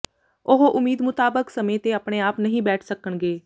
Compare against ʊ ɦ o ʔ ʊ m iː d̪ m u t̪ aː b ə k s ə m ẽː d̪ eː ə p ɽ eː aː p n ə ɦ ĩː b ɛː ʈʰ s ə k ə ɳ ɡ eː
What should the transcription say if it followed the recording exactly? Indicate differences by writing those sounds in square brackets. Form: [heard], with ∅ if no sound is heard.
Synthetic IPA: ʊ ɦ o ʔ ʊ m iː d̪ m [ʊ] t̪ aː b ə k s ə m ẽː [t̪] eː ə p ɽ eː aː p n ə ɦ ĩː b ɛː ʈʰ s ə k ə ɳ ɡ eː